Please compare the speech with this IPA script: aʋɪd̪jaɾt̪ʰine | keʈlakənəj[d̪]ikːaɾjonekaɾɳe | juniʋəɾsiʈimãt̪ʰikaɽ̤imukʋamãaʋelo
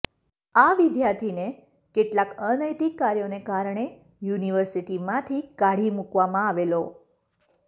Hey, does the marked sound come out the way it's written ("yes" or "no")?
no